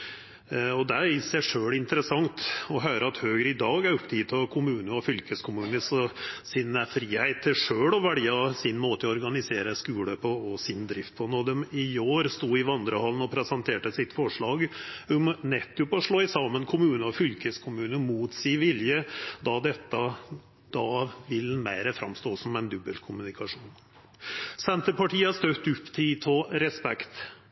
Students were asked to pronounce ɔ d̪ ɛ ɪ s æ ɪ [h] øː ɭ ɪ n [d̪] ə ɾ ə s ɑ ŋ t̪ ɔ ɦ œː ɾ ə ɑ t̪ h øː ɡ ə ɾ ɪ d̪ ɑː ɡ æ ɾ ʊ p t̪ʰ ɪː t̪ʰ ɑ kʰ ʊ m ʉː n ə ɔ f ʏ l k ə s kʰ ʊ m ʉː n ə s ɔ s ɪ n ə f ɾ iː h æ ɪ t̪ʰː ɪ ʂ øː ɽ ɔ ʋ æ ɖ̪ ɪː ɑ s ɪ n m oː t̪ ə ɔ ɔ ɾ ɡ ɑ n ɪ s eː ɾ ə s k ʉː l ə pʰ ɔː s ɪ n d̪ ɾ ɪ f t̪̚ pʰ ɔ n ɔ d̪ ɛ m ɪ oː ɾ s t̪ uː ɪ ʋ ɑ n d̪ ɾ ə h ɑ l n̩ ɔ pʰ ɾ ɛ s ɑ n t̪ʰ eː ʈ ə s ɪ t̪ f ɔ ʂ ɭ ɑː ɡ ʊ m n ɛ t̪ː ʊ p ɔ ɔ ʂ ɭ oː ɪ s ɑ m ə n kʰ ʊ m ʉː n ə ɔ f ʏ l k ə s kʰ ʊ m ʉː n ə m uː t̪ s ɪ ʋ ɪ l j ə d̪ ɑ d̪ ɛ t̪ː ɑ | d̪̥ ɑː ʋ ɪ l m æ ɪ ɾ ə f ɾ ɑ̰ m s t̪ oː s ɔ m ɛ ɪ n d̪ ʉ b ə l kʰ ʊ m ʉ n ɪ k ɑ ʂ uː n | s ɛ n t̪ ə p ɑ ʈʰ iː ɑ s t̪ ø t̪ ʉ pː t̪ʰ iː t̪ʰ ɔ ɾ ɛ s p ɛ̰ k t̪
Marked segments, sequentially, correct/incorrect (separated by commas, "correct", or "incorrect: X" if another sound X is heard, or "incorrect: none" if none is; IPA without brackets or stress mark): incorrect: ʂ, incorrect: t̪